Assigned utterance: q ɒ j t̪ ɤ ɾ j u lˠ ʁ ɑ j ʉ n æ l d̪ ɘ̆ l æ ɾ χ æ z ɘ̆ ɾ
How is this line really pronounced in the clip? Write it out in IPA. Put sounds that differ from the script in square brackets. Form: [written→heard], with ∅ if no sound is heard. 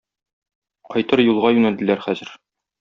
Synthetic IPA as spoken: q ɒ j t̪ ɤ ɾ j u lˠ ʁ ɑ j ʉ n æ l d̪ ɘ̆ l æ ɾ χ æ z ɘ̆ ɾ